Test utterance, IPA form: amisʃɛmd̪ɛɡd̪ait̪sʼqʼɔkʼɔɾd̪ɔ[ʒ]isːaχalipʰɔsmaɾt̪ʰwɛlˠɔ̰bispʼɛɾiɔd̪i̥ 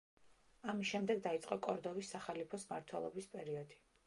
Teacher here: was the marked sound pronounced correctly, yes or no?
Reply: no